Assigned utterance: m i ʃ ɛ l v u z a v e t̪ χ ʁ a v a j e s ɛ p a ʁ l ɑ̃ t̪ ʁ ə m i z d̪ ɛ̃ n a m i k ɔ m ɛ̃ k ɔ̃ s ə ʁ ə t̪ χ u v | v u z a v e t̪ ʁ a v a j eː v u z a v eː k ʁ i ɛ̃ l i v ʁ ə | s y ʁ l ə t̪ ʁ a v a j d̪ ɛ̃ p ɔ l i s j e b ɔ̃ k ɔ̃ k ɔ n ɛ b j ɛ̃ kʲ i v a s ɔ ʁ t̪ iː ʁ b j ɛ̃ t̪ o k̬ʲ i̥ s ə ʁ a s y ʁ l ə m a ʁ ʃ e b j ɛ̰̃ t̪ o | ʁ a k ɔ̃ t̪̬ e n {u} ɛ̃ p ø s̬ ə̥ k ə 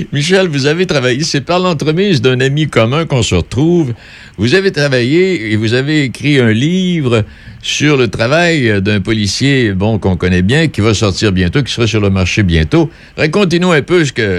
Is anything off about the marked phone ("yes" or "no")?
no